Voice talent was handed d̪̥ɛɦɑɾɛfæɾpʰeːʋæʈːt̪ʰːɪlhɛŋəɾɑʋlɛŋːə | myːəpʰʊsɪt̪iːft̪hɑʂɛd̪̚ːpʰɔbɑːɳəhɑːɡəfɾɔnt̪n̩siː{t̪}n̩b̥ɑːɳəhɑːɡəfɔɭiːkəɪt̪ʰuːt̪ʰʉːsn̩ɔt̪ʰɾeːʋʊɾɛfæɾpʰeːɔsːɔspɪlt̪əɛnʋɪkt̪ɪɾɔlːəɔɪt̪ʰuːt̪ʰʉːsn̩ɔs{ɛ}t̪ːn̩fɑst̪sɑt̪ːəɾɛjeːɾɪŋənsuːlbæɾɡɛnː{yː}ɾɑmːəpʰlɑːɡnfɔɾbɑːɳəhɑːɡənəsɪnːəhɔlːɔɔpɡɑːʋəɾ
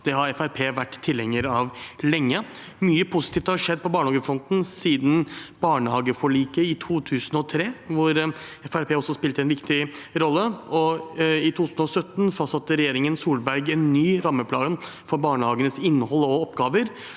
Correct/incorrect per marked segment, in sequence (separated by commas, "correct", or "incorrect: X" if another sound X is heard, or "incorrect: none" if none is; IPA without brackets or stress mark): incorrect: d̪, incorrect: œ, correct